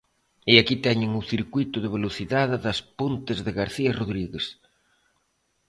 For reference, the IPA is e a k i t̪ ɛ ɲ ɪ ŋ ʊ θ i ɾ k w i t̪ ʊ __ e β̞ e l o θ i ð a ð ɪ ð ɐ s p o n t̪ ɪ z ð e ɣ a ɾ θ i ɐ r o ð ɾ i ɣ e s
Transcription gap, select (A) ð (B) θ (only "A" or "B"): A